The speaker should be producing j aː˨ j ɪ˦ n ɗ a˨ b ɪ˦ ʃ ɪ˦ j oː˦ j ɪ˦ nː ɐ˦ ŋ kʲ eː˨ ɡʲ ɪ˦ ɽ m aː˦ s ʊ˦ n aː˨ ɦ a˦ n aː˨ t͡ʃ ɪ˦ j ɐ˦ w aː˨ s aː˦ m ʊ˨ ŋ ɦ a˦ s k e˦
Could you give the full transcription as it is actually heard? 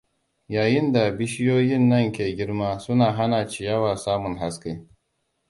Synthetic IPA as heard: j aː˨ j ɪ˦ n d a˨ b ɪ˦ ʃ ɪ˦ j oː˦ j ɪ˦ nː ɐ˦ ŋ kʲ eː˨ ɡʲ ɪ˦ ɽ m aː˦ s ʊ˦ n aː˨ ɦ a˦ n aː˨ t͡ʃ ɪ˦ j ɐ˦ w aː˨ s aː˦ m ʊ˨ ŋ ɦ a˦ s k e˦